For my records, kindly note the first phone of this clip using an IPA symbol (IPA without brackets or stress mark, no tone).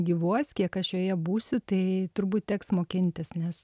ɡʲ